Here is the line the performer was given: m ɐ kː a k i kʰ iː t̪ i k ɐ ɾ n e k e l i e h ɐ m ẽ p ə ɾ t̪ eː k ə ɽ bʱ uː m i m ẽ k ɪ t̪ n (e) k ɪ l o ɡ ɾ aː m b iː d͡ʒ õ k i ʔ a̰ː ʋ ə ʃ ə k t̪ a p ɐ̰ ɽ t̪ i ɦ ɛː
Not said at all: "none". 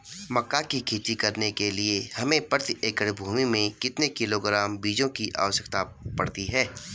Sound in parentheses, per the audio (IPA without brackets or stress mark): e